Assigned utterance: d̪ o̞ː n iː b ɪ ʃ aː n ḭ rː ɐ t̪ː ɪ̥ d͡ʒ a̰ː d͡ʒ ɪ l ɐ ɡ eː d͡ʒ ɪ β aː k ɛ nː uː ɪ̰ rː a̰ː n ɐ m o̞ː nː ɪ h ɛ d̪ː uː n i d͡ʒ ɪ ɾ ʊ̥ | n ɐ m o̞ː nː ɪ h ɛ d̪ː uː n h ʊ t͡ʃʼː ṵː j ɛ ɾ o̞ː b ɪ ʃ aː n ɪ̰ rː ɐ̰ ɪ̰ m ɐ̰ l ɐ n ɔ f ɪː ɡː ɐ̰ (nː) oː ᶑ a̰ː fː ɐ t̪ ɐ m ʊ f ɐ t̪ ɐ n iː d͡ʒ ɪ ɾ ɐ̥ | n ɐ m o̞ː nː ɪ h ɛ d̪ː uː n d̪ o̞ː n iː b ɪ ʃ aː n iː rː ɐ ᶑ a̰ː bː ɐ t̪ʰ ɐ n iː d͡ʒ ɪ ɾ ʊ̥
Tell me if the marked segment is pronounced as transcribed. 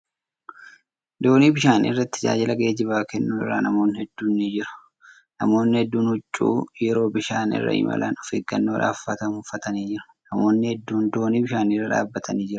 yes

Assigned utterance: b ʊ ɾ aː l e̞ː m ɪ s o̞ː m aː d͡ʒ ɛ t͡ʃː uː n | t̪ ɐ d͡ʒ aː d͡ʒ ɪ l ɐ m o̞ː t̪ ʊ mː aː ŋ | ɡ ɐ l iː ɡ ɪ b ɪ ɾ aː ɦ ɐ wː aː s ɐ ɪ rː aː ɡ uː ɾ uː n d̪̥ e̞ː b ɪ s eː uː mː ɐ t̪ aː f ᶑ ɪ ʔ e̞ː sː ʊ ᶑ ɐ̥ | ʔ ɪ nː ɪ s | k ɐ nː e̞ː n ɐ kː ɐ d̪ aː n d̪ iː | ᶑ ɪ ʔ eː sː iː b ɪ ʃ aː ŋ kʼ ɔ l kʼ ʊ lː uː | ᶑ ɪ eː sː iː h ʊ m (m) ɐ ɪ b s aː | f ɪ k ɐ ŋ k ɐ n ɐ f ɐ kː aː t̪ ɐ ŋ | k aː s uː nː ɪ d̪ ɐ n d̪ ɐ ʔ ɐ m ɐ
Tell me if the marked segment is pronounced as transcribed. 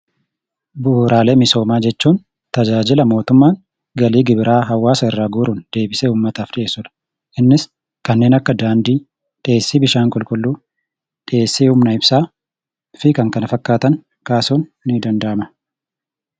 no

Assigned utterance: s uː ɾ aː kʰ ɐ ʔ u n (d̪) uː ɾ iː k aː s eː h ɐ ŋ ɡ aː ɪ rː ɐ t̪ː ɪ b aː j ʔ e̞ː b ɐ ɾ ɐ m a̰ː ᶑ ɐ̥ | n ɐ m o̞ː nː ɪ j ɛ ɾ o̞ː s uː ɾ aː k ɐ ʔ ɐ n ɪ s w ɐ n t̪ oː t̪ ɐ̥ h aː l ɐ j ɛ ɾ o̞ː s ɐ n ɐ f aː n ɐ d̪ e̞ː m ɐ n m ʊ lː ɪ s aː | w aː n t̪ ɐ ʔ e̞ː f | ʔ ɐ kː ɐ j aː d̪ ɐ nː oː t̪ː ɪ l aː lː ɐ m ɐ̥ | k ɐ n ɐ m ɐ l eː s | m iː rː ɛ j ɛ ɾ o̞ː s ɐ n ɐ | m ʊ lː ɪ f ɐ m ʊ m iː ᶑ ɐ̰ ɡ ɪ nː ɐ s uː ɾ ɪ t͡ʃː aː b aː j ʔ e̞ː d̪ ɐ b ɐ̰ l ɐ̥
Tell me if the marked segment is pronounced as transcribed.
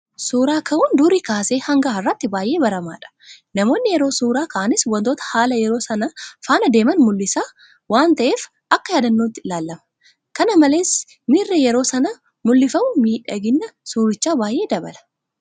yes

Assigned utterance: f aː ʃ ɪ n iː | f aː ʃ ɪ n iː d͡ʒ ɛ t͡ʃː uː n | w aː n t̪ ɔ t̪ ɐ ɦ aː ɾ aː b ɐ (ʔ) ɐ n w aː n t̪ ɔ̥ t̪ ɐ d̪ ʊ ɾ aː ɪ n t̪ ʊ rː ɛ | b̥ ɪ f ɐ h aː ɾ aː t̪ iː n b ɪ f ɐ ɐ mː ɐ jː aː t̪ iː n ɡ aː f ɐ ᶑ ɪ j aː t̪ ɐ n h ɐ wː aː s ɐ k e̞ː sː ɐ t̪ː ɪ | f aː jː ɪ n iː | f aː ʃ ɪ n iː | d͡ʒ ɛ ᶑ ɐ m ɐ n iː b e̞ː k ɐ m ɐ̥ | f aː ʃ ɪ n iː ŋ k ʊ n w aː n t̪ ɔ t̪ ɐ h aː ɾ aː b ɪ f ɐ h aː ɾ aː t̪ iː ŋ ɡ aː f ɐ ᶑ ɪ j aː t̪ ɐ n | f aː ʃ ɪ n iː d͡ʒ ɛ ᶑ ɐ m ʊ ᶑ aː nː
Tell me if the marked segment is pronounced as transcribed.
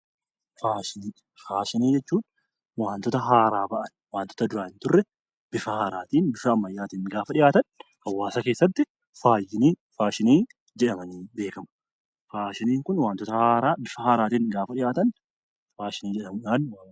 yes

